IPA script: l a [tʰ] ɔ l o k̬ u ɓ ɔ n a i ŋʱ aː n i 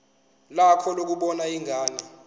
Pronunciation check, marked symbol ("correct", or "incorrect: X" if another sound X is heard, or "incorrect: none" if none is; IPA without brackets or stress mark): incorrect: kʰ